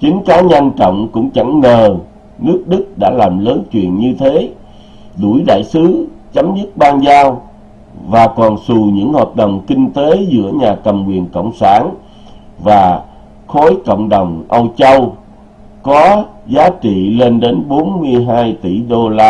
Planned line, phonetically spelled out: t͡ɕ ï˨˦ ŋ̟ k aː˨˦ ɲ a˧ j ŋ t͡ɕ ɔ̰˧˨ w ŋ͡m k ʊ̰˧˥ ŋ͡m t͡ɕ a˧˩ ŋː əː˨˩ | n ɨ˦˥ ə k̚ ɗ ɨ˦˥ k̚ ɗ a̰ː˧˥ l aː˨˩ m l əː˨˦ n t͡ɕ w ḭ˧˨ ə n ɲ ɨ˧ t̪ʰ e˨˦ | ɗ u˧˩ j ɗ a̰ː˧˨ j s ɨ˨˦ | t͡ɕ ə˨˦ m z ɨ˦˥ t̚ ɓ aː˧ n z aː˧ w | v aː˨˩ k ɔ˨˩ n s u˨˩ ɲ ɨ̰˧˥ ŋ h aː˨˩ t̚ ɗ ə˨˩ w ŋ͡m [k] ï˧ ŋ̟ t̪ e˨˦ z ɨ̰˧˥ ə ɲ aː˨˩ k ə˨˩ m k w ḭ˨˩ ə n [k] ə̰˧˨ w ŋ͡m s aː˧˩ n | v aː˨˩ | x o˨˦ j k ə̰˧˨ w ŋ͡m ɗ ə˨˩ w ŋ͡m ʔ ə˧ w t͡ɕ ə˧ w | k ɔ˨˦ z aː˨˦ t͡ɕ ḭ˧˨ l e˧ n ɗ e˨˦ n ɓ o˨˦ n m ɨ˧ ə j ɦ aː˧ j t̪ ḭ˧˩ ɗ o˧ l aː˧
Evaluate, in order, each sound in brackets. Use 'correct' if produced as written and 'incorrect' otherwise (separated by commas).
correct, correct